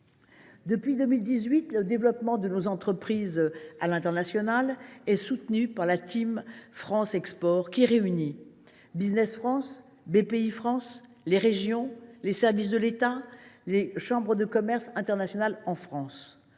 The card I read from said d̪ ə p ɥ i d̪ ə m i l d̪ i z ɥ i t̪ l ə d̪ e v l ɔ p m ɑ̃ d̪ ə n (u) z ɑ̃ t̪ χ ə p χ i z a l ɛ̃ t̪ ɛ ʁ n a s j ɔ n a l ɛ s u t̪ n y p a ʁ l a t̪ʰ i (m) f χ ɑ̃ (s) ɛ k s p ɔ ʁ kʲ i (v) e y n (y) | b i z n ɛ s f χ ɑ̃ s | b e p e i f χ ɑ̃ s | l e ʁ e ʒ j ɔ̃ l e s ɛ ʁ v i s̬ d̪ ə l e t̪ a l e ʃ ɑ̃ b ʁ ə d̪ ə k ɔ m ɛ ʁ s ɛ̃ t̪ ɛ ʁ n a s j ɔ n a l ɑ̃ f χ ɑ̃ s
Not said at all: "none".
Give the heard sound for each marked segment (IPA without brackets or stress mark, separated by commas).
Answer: o, m, s, ʁ, i